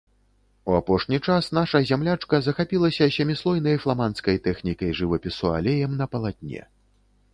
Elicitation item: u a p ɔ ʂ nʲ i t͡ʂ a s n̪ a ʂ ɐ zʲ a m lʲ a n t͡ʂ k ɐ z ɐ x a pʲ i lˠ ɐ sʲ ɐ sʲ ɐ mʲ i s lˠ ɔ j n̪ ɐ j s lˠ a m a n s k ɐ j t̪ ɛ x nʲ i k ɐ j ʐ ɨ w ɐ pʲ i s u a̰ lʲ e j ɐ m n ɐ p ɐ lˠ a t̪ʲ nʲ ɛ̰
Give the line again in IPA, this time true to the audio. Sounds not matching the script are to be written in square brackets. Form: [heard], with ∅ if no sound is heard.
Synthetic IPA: u a p ɔ ʂ nʲ i t͡ʂ a s n̪ a ʂ ɐ zʲ a m lʲ a [∅] t͡ʂ k ɐ z ɐ x a pʲ i lˠ ɐ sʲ ɐ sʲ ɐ mʲ i s lˠ ɔ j n̪ ɐ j [f] lˠ a m a n s k ɐ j t̪ ɛ x nʲ i k ɐ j ʐ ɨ [v] ɐ pʲ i s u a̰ lʲ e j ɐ m n ɐ p ɐ lˠ a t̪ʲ nʲ ɛ̰